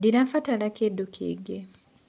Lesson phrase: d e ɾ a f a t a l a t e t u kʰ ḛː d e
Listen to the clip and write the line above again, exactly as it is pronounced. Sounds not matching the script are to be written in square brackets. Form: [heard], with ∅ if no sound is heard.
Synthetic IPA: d [i] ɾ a f a t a l a [k] e [d] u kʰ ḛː [ɡ] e